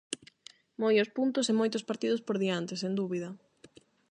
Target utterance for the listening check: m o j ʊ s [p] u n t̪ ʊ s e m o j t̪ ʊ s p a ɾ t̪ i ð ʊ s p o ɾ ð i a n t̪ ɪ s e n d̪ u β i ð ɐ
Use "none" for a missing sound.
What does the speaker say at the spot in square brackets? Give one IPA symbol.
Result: p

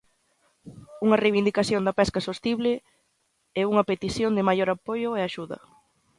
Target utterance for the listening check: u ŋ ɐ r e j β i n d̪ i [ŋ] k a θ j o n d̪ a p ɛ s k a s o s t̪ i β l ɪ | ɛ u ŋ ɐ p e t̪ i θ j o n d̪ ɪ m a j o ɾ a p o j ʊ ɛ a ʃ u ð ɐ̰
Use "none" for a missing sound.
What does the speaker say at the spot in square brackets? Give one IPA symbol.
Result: none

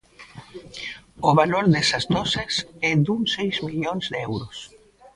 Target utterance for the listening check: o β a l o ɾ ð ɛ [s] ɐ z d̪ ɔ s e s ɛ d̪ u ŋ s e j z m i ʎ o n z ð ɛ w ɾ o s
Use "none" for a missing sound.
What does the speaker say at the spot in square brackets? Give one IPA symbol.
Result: s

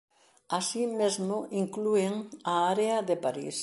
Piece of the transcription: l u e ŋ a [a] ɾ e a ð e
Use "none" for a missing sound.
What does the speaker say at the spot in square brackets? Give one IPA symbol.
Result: a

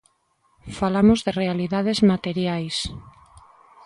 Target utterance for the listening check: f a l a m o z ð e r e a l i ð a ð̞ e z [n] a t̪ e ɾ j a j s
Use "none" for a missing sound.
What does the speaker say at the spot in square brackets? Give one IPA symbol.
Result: m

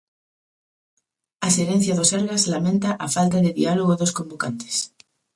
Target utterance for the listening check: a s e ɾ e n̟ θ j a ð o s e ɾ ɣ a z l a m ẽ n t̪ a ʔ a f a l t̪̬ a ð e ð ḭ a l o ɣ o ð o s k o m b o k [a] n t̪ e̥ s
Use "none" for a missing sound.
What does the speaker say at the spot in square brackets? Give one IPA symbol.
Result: a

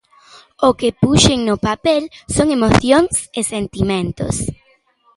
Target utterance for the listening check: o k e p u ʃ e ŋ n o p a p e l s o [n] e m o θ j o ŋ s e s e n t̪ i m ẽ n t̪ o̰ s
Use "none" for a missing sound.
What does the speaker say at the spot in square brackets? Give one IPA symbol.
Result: ŋ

